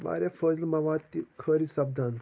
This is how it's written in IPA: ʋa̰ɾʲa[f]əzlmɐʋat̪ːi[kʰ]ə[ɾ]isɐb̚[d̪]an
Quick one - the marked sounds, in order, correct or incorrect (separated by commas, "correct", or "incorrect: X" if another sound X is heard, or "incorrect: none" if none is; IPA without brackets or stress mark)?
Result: correct, correct, correct, correct